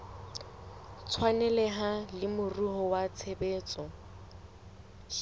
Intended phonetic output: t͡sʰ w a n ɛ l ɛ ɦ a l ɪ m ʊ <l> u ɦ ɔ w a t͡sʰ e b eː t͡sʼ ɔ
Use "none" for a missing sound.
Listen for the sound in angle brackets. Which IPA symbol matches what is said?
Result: r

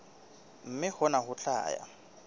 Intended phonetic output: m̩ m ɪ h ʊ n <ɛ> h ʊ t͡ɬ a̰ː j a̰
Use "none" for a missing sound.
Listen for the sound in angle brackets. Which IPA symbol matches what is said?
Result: a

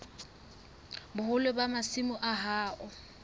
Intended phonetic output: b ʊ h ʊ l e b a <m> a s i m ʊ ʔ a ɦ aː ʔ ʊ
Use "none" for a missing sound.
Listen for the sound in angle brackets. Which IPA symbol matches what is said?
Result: m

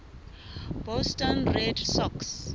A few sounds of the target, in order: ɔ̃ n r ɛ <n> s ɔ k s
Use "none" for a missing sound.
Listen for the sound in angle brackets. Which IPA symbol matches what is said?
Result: d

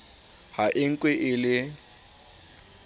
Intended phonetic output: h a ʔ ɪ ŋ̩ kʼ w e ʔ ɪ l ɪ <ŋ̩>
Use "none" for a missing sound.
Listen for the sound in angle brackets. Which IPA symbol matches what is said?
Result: none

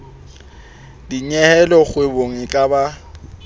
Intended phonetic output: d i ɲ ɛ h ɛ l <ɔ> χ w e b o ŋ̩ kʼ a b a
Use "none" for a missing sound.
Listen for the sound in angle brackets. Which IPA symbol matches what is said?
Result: ɔ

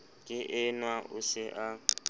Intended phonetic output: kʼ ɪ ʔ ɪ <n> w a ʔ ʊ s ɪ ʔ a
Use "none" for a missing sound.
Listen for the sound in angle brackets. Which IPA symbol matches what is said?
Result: n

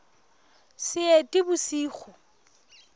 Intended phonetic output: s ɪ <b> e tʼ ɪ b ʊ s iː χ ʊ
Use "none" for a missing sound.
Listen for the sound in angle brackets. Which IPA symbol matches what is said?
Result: none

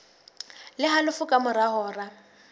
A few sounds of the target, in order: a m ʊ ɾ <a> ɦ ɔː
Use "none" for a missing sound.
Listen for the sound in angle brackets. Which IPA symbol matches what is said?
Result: a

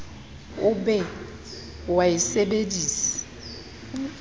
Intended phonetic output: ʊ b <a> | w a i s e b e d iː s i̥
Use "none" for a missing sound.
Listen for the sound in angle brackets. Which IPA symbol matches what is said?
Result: ɛ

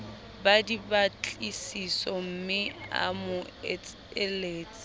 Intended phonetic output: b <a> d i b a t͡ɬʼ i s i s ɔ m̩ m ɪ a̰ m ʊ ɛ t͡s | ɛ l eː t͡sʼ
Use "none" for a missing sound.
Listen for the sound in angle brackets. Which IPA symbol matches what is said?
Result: a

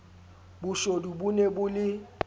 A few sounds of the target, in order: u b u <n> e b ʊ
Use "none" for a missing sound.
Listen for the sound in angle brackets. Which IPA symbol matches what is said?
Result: n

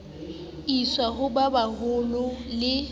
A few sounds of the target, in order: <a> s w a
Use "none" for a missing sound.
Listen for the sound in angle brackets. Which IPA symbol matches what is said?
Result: i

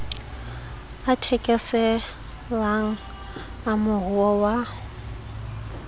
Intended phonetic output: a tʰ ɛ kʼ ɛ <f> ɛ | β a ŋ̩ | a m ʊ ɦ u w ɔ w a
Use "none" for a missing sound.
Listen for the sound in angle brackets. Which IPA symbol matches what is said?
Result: s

